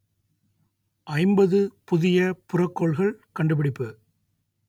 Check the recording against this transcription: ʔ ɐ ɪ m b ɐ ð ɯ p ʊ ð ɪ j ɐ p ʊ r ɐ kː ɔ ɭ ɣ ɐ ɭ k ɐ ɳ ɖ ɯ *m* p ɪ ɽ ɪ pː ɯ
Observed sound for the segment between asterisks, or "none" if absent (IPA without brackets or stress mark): none